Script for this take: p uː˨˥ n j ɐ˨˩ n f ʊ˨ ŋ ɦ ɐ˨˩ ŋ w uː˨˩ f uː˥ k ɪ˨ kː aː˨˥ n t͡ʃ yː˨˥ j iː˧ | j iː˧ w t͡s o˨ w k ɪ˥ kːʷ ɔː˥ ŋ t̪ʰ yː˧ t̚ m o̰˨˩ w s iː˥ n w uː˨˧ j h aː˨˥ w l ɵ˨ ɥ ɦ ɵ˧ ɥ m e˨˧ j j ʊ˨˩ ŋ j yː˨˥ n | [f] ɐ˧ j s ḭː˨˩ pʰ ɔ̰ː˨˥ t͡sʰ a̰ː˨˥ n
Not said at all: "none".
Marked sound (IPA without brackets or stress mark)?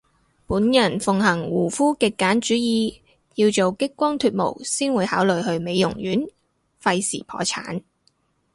f